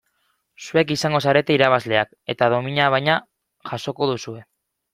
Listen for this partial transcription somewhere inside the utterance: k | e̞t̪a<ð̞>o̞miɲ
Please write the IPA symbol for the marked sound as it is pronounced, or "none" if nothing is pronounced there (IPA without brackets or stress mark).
ð̞